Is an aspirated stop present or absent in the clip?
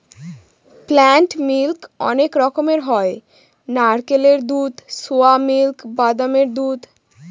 absent